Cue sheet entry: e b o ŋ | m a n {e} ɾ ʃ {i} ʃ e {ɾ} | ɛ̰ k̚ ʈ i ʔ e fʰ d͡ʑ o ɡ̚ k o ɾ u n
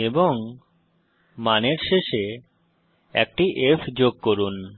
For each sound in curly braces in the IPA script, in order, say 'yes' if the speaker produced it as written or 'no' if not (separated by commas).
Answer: yes, no, no